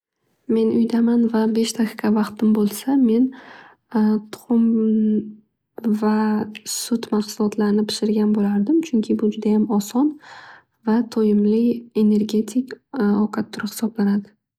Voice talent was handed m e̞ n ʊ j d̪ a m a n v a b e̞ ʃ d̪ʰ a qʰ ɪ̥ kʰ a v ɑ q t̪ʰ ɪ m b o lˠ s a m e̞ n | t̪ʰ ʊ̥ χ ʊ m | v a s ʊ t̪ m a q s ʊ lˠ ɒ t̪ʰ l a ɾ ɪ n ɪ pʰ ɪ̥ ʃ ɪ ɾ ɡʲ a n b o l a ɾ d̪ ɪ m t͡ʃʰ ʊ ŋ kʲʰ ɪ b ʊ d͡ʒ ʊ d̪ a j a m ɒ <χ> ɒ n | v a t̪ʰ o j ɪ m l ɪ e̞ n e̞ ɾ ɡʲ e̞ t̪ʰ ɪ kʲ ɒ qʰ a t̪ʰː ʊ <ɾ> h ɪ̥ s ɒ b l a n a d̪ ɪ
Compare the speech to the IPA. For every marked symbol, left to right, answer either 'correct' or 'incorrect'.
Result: incorrect, correct

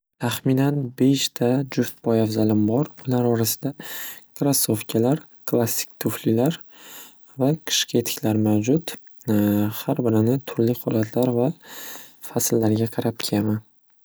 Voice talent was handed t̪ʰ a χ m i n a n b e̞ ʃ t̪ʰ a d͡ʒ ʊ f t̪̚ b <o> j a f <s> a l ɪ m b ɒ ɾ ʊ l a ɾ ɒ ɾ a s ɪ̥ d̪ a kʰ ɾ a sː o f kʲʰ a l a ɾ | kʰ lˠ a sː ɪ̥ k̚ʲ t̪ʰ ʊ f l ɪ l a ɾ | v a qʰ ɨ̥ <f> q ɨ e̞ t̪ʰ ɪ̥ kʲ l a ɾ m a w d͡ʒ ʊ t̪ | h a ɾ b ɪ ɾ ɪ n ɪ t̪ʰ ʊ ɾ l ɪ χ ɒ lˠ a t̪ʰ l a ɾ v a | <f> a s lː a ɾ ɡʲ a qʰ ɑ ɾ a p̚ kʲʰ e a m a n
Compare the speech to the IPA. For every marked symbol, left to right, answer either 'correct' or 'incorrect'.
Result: incorrect, incorrect, incorrect, correct

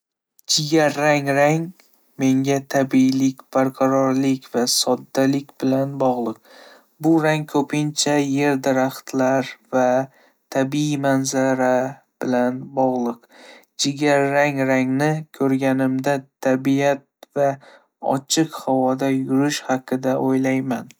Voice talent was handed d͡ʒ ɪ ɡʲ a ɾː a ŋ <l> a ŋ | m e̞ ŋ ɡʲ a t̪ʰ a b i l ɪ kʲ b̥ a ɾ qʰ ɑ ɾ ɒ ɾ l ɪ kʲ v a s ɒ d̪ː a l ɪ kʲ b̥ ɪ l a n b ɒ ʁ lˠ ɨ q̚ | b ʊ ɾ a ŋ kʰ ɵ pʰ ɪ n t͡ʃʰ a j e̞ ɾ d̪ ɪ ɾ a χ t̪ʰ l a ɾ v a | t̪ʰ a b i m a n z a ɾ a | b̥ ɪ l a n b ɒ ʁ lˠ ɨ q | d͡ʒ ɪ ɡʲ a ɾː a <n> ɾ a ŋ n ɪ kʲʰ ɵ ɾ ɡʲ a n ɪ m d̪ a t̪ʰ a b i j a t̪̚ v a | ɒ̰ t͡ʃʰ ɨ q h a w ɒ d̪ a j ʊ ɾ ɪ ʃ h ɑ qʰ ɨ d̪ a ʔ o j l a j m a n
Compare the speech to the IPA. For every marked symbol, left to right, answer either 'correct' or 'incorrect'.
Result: incorrect, incorrect

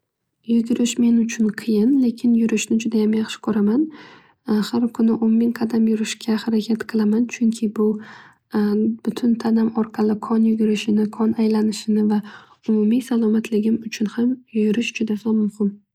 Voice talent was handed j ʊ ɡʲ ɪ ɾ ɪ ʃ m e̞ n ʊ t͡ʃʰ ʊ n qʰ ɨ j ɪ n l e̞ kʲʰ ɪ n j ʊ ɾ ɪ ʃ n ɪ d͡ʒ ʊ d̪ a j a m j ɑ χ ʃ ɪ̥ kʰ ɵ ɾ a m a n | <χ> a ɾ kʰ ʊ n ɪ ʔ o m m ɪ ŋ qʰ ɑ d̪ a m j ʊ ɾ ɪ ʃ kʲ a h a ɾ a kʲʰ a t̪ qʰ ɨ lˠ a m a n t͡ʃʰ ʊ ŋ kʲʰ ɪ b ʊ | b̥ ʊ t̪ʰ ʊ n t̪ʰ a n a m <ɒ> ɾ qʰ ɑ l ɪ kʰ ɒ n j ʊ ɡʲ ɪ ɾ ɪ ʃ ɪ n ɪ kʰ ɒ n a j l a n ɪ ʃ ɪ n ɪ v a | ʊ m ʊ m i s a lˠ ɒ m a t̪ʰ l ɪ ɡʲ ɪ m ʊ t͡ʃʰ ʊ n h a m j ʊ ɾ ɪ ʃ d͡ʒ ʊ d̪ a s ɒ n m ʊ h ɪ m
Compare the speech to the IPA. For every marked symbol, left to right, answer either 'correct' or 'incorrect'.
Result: incorrect, correct

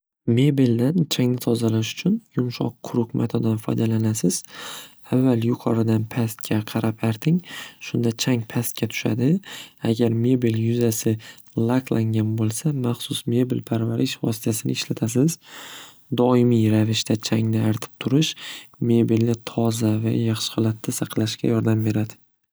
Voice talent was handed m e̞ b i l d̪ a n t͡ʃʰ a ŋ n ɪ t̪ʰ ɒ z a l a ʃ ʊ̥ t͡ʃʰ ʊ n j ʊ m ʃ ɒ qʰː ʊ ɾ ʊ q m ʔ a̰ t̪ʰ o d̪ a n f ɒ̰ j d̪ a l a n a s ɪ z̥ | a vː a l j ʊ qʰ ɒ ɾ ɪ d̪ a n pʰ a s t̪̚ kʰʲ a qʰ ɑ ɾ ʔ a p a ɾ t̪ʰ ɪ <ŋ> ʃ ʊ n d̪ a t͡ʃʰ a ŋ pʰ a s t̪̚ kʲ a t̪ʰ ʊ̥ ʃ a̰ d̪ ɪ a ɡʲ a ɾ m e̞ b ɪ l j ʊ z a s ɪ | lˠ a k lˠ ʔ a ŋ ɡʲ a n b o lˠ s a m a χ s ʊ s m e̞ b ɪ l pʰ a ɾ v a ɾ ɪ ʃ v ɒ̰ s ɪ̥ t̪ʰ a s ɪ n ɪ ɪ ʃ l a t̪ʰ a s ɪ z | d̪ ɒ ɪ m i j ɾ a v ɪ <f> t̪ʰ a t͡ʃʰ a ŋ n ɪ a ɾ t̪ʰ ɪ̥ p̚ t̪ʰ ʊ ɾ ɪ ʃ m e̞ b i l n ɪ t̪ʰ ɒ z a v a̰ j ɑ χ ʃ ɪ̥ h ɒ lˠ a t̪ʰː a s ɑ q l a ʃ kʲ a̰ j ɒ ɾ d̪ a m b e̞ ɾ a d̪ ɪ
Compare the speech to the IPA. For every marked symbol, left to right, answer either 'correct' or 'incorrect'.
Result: correct, incorrect

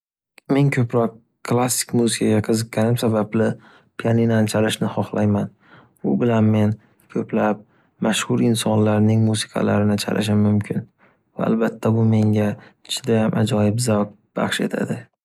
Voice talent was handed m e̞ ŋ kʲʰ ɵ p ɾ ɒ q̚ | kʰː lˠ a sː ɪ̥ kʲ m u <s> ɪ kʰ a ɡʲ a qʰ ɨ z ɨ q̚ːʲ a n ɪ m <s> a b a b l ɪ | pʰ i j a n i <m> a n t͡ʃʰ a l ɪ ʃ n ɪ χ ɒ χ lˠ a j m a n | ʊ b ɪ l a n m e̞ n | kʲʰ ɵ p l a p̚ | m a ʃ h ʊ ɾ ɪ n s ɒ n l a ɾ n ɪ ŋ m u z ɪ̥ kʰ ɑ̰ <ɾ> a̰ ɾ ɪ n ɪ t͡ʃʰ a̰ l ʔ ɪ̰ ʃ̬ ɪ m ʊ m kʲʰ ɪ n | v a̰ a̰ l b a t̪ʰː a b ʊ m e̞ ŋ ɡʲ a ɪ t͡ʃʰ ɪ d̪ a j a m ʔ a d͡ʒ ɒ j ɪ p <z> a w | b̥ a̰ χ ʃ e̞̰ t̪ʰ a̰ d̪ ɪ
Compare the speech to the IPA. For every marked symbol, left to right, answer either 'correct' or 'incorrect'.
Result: incorrect, correct, incorrect, incorrect, correct

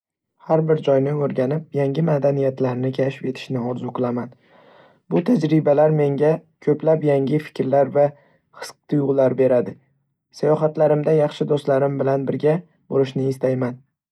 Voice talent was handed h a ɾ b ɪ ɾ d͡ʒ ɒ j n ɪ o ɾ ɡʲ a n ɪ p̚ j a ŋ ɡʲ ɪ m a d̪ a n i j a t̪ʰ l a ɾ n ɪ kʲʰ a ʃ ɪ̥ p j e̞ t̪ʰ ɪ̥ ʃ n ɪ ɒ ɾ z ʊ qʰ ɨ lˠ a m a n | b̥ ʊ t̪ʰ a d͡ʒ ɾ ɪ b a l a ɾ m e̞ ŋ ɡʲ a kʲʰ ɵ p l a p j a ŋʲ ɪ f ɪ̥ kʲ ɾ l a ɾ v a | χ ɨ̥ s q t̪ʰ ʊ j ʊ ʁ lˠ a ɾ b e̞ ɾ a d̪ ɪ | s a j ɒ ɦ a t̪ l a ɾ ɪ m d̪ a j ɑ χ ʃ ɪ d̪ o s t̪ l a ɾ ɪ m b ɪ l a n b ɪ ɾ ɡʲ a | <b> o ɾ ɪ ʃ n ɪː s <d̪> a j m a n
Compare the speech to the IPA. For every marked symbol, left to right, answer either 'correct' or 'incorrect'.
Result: correct, incorrect

